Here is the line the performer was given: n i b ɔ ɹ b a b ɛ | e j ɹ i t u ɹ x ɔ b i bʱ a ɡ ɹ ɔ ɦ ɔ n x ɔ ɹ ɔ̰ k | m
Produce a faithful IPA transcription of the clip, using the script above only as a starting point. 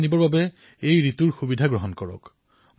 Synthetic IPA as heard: n i b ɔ ɹ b a b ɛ | e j ɹ i t u ɹ x u b i dʱ a ɡ ɹ ɔ ɦ ɔ n k ɔ ɹ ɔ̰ k | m